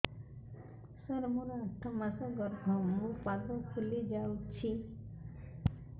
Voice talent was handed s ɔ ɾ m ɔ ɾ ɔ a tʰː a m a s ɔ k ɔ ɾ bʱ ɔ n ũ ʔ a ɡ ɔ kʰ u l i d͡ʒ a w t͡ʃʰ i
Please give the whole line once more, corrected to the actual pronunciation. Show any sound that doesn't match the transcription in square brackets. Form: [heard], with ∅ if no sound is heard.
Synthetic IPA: s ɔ ɾ m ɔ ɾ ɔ a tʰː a m a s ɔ [ɡ] ɔ ɾ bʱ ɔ [m] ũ [p] a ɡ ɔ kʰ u l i d͡ʒ a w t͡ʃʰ i